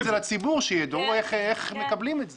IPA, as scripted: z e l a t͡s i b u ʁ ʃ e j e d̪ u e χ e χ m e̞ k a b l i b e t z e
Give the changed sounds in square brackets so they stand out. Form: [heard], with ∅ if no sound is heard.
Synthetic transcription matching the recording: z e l a t͡s i b u ʁ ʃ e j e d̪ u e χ e χ m e̞ k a b l i [m] e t z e